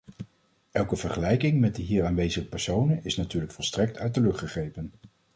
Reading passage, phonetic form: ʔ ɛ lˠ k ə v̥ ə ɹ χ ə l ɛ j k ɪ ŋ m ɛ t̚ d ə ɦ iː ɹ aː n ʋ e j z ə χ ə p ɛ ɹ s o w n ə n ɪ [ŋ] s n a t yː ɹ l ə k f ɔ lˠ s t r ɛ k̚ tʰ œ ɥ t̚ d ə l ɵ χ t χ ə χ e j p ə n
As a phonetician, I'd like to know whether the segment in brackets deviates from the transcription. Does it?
yes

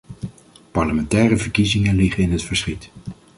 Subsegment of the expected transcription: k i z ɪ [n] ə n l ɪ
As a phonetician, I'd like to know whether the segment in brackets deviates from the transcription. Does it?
yes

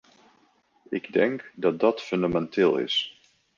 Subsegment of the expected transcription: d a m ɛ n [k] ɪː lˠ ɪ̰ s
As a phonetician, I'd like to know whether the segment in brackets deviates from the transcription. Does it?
yes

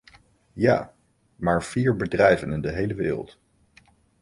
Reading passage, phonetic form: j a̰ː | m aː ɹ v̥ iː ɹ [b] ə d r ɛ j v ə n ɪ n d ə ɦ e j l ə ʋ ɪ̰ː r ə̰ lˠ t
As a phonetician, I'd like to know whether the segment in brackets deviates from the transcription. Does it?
no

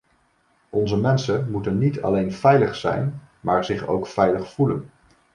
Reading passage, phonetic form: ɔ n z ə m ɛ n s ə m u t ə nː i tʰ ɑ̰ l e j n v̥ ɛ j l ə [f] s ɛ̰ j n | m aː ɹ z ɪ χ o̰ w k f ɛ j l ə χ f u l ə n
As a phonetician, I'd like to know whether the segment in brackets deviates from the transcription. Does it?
yes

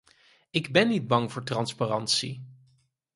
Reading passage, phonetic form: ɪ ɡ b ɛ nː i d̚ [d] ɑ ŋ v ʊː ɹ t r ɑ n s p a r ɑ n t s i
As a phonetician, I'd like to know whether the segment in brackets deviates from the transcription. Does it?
yes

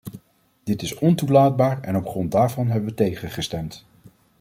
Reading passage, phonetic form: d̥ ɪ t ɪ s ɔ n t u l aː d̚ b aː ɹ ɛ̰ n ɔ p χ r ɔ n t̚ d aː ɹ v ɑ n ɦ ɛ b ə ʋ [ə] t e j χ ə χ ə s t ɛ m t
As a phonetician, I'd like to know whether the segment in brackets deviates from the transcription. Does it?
no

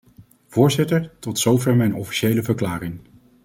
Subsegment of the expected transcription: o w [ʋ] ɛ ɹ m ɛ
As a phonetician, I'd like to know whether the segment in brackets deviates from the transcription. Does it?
yes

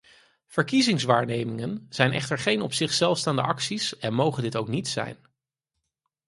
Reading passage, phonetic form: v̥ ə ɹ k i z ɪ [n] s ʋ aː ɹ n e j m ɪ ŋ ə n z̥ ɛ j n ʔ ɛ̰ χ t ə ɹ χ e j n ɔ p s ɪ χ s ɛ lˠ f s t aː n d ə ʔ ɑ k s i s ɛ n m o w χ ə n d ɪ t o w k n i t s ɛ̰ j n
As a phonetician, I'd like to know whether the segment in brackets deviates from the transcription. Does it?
yes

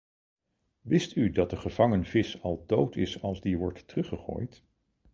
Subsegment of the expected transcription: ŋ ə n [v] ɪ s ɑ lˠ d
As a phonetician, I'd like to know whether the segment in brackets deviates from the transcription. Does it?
no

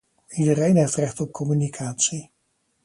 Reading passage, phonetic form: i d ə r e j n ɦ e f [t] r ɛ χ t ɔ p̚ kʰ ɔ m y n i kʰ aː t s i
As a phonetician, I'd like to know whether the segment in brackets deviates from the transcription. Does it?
no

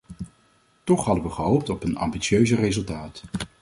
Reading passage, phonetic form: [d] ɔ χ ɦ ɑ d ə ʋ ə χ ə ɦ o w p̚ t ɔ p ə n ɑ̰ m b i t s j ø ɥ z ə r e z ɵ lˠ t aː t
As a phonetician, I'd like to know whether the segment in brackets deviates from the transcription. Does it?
yes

